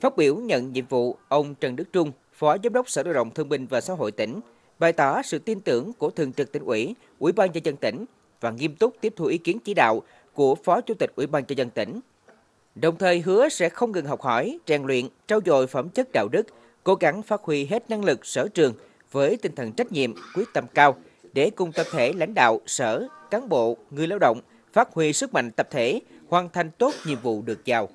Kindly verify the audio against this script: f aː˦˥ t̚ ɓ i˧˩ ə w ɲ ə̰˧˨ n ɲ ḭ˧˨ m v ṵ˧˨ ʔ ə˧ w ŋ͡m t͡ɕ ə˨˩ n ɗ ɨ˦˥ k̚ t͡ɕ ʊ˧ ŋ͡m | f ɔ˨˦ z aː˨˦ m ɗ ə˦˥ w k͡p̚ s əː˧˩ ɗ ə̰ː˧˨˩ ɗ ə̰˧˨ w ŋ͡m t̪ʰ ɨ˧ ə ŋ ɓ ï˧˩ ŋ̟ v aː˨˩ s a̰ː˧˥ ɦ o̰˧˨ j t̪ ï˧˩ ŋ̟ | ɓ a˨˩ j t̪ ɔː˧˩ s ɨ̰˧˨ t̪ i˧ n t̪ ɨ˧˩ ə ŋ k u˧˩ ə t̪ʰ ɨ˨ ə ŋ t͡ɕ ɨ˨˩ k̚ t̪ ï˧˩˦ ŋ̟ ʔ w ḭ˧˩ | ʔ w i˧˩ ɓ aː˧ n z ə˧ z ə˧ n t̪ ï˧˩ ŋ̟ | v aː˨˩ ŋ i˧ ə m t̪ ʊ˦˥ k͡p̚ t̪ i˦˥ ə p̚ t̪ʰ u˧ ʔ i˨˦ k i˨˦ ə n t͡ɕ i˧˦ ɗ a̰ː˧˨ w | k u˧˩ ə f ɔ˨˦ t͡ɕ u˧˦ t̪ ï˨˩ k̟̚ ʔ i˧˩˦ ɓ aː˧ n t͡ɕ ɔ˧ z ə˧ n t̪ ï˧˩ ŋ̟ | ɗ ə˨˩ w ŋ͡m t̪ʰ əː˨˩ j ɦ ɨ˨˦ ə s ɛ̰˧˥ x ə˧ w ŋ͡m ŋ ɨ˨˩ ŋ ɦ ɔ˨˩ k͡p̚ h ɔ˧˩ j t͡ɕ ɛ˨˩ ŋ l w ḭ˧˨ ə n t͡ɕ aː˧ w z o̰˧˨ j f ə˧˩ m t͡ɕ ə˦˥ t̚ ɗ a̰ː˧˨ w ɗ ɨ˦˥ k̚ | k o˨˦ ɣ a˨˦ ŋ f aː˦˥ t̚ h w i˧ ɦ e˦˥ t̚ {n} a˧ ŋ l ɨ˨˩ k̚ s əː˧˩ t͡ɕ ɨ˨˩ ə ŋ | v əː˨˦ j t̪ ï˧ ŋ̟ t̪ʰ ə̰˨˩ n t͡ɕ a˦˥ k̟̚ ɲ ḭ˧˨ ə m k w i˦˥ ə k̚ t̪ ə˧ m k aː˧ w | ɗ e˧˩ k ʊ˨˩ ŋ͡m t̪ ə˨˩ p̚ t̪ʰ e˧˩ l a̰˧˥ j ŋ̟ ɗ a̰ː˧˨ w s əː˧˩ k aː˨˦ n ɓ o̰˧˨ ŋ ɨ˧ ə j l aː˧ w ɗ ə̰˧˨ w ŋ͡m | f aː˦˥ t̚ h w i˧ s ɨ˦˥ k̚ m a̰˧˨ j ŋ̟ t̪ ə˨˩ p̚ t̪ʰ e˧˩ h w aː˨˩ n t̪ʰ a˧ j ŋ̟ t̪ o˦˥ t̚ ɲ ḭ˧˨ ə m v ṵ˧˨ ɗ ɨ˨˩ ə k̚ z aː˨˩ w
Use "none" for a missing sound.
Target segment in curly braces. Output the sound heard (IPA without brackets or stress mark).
n